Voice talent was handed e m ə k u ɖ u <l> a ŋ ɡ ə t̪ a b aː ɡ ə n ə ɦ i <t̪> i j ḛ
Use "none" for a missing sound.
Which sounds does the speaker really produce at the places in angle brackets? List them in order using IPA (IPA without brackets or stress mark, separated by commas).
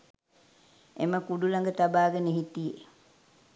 l, t̪